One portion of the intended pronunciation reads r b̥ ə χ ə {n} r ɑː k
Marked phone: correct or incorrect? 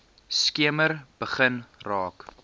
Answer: correct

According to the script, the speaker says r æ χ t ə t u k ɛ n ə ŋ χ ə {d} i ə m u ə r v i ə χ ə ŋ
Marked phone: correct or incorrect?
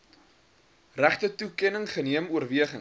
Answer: incorrect: n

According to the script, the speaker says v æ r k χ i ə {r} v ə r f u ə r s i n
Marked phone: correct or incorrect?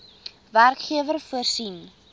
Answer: incorrect: none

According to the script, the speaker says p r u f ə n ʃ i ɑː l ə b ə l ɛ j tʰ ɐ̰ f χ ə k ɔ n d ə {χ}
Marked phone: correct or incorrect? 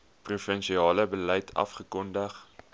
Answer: correct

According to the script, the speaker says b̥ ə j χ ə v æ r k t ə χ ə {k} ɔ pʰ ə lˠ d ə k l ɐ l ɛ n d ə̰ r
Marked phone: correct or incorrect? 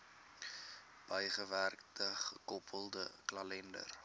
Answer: correct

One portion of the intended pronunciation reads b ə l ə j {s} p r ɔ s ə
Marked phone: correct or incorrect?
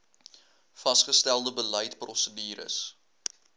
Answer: incorrect: t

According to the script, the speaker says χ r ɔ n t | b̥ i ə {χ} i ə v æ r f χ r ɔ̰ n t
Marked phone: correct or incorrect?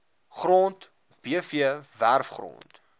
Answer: incorrect: f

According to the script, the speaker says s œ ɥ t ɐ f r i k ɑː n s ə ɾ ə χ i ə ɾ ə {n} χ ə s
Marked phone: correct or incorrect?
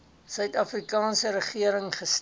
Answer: incorrect: ŋ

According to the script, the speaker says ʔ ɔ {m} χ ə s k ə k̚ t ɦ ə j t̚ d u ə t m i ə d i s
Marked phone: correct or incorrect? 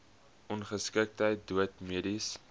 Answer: incorrect: n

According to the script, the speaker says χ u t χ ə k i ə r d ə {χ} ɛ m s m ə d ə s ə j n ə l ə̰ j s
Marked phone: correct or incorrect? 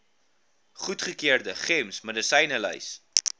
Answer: correct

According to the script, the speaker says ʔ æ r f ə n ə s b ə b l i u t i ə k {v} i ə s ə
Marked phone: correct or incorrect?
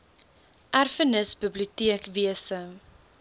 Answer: correct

